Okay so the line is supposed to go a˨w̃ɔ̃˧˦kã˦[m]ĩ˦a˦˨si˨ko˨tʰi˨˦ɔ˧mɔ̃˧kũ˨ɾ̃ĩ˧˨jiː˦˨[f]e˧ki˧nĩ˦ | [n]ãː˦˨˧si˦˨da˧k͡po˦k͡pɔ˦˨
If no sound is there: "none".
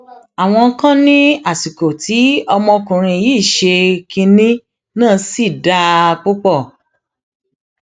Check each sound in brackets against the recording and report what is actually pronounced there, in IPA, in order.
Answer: n, ʃ, n

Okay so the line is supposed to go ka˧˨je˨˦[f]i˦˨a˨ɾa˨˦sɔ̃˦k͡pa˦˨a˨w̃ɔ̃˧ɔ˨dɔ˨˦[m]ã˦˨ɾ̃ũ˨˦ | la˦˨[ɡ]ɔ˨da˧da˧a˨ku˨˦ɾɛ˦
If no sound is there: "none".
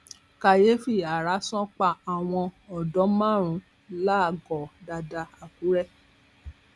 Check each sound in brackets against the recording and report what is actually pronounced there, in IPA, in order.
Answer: f, m, ɡ

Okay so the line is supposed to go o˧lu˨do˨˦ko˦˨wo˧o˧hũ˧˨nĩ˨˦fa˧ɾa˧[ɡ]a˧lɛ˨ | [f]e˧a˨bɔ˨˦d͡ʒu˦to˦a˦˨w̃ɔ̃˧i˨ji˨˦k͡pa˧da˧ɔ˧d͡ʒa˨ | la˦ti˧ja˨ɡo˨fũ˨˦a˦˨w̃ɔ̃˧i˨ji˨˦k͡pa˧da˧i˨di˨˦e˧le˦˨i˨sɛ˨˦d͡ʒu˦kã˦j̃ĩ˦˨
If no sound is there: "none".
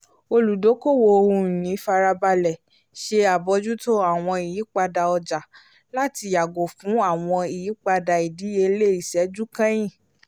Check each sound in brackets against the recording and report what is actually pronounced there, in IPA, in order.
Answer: b, ʃ

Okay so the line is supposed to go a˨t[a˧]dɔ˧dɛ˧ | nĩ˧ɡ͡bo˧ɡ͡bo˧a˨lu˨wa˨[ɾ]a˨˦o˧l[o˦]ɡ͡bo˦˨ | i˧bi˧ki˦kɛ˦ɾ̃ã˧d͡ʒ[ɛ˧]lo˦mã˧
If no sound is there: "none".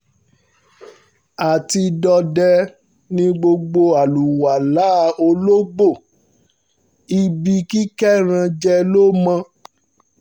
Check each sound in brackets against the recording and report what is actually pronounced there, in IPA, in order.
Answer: i˧, l, o˦, ɛ˧

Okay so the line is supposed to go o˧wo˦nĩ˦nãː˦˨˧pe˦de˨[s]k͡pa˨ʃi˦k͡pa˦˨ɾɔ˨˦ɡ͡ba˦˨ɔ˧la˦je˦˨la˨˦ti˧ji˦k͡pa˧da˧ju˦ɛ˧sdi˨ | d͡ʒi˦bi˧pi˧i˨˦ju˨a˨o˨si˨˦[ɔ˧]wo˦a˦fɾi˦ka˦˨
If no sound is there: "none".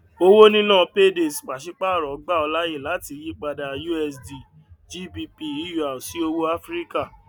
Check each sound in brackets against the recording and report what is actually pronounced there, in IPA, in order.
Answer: s, o˧

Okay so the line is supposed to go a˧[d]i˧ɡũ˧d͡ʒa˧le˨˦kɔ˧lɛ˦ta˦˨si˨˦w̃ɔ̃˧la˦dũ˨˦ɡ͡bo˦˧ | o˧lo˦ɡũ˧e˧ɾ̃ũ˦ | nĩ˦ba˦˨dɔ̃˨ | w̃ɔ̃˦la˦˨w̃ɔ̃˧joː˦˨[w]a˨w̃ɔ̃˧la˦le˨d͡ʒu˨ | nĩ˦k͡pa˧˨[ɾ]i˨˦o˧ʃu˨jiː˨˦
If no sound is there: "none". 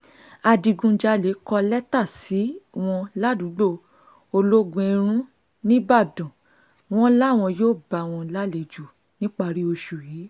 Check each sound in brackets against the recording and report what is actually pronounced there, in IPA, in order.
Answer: d, b, ɾ

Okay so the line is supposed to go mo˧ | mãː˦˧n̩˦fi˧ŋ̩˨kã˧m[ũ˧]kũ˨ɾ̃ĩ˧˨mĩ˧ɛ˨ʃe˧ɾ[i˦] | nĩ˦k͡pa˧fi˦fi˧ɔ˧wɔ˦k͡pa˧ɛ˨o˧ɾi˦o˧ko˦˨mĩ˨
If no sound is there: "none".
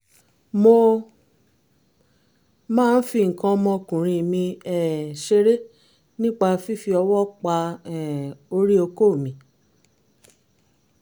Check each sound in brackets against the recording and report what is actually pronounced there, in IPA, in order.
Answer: ɔ̃˧, e˦

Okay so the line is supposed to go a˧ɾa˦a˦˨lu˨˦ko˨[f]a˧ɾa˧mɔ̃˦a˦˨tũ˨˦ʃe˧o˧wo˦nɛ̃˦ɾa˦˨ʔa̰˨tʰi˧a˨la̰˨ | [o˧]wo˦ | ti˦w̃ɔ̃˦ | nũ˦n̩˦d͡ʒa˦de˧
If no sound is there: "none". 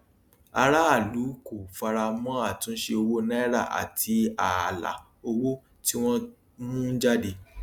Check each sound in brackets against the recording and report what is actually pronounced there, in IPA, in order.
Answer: f, o˧

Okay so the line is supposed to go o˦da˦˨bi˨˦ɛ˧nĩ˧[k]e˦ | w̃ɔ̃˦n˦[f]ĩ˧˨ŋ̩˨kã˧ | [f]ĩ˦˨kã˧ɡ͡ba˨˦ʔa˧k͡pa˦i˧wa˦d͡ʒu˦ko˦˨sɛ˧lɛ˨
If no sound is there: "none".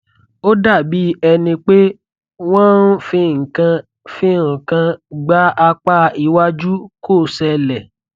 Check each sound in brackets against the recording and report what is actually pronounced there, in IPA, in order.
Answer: k͡p, f, f

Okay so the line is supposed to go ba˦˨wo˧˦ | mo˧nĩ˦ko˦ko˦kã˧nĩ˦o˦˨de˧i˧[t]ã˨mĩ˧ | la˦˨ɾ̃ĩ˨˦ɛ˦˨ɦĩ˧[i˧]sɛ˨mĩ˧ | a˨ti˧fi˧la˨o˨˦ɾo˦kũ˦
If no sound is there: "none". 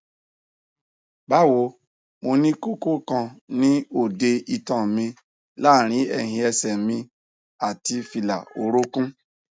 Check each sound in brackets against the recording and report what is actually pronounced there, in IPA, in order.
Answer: t, ɛ˧

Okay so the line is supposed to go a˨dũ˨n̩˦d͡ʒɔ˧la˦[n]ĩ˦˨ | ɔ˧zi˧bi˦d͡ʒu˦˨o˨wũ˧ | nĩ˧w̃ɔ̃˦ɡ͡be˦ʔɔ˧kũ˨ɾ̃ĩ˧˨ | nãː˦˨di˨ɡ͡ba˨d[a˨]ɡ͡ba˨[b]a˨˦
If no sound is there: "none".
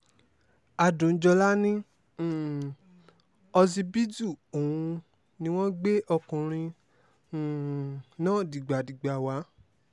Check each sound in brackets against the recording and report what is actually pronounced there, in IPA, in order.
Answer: n, i˨, w

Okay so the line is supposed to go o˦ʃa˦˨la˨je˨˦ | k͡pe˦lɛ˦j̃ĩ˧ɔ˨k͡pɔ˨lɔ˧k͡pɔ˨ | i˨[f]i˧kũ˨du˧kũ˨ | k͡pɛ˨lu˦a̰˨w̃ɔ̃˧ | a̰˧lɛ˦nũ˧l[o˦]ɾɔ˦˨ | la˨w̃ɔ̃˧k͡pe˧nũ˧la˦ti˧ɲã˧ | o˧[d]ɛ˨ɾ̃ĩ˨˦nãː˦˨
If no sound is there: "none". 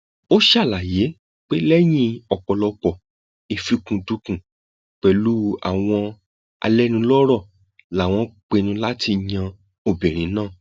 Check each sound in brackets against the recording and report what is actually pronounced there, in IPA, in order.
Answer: f, ɔ˦, b

